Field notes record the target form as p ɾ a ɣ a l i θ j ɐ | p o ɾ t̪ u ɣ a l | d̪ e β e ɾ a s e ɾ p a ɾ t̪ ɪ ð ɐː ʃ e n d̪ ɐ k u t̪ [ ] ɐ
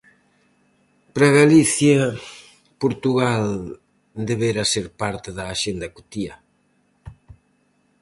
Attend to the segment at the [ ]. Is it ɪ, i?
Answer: i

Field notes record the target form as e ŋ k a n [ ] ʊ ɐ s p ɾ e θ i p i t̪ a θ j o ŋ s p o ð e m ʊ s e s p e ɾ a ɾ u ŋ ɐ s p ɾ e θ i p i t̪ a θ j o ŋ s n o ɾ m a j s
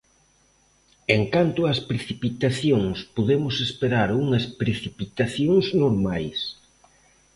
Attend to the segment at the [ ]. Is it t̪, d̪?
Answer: t̪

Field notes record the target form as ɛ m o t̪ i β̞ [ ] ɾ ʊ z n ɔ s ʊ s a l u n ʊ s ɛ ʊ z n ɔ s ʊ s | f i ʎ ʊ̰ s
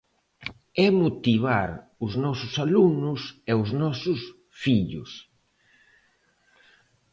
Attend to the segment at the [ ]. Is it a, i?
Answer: a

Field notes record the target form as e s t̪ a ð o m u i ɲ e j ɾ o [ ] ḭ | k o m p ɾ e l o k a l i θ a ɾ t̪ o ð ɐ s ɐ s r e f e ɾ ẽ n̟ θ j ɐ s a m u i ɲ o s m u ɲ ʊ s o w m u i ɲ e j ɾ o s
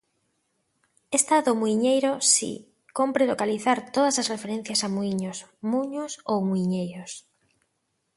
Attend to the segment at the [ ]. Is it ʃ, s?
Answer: s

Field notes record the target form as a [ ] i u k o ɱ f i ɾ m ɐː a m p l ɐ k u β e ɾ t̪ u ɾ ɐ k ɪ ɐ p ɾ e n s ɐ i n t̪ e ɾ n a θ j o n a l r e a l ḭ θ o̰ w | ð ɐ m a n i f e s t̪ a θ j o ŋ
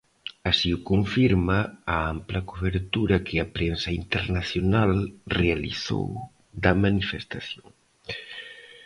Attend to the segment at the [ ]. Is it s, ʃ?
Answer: s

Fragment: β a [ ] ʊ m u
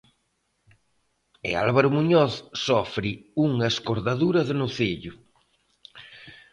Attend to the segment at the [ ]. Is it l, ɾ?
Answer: ɾ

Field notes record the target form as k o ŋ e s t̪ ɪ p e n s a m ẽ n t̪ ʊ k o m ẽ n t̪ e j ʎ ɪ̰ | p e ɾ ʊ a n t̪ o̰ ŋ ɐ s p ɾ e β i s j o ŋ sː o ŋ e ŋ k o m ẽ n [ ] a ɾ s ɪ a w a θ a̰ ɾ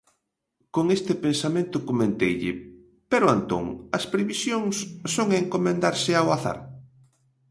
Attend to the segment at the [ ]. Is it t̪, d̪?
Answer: d̪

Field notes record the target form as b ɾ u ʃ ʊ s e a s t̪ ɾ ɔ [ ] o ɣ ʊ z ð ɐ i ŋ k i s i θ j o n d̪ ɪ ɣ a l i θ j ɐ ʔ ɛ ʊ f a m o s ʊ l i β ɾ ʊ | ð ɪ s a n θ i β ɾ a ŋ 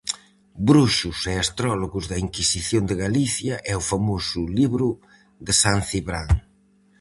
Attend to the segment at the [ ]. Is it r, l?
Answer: l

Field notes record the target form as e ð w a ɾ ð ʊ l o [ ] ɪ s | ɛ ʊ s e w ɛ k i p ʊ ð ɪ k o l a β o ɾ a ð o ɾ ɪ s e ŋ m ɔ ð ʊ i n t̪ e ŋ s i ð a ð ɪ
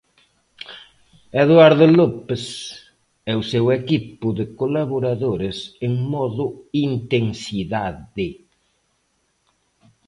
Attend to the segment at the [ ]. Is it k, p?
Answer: p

